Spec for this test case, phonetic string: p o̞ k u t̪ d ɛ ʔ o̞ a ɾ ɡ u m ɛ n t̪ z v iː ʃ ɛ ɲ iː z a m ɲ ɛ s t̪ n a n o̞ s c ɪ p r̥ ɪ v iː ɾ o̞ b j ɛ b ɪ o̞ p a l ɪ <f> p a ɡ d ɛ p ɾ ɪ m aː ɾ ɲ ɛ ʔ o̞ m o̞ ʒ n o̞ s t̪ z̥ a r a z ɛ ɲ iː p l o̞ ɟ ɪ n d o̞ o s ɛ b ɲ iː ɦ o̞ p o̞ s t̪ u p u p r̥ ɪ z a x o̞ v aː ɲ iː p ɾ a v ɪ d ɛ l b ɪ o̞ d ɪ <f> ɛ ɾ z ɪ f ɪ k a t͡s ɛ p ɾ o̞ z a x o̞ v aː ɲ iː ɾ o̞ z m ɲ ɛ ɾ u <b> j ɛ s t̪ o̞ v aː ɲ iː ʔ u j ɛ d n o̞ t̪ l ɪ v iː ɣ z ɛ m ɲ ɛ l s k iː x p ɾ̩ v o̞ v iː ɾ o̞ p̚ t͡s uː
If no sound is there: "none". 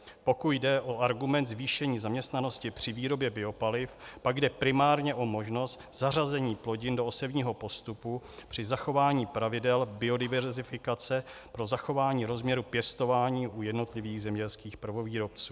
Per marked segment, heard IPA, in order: f, v, p

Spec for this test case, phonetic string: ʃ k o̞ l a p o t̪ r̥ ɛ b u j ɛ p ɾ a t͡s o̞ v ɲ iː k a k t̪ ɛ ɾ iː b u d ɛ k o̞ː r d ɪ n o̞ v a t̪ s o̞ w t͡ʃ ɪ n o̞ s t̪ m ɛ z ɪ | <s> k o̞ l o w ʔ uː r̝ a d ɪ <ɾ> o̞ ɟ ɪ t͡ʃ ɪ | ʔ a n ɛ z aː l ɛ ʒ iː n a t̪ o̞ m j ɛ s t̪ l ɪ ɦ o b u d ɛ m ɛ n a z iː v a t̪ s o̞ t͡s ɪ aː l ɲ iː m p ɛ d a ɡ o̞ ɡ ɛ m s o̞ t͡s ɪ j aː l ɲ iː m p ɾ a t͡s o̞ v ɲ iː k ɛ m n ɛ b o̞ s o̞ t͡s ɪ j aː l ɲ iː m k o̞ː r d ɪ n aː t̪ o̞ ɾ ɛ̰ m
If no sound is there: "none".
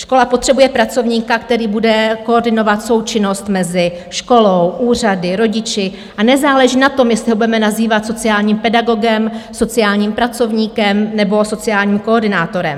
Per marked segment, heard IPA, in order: ʃ, ɾ

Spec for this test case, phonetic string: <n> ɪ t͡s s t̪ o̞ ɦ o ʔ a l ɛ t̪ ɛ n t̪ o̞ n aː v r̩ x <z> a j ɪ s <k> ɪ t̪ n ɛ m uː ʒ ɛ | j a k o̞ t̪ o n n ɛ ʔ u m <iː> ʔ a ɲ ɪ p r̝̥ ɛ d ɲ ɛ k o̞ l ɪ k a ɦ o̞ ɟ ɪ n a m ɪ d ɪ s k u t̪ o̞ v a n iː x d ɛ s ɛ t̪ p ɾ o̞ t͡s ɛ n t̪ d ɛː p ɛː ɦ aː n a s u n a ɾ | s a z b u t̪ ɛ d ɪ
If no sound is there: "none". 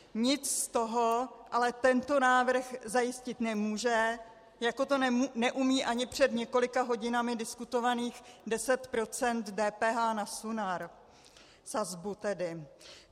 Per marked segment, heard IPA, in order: ɲ, z, c, iː

